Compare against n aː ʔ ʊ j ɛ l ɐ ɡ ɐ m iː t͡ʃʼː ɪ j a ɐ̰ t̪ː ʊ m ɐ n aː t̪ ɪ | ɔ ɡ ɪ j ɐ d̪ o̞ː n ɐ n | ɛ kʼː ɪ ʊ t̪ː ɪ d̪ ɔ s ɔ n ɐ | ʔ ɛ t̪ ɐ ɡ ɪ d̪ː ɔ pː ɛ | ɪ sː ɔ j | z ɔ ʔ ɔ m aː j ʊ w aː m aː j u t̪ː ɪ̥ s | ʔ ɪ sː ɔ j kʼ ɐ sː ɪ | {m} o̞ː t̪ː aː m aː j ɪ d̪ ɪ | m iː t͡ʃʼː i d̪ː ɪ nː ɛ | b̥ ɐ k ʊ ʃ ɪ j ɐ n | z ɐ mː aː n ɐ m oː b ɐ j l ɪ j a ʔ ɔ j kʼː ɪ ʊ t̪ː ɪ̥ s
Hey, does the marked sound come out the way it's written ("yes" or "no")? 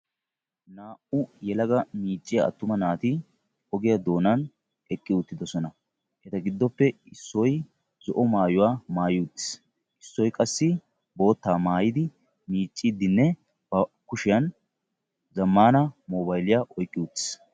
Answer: no